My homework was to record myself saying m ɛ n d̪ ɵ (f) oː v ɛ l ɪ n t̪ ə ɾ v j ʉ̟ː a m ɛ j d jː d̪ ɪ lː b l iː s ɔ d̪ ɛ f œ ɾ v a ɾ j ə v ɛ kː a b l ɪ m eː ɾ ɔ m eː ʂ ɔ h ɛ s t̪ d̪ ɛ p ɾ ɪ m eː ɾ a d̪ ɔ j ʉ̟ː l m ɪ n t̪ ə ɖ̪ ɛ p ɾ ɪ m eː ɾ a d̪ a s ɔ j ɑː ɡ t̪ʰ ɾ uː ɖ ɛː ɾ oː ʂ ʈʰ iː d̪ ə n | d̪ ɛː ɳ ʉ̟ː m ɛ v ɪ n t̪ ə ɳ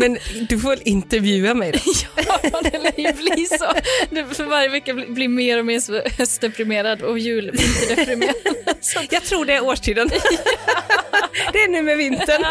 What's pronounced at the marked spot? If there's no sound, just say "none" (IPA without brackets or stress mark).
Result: f